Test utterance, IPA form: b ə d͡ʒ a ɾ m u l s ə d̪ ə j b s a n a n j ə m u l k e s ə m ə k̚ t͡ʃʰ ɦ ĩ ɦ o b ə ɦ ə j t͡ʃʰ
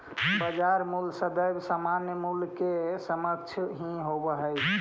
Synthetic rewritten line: b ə d͡ʒ a ɾ m u l s ə d̪ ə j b s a m a n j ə m u l k e s ə m ə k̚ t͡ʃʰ ɦ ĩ ɦ o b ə ɦ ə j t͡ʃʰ